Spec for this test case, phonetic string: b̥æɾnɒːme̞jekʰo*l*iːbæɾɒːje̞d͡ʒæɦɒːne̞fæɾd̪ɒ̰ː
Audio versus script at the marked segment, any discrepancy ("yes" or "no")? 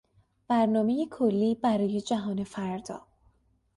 yes